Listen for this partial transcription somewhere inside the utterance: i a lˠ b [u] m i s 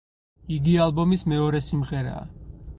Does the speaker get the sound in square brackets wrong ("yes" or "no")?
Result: yes